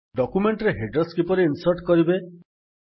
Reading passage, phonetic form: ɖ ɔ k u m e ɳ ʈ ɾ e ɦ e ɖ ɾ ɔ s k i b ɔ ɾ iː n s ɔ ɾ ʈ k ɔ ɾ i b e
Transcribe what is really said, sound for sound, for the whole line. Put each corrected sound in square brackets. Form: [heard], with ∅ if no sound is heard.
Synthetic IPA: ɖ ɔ k u m e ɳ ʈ ɾ e ɦ e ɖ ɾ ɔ s k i [p] ɔ ɾ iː n s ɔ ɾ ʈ k ɔ ɾ i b e